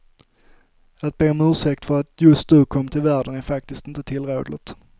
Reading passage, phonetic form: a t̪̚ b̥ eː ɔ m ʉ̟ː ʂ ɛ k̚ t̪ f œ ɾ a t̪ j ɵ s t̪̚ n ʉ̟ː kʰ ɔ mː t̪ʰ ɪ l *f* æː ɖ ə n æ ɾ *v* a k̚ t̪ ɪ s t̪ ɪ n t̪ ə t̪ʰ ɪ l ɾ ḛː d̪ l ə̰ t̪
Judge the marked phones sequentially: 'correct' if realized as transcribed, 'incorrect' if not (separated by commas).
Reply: incorrect, incorrect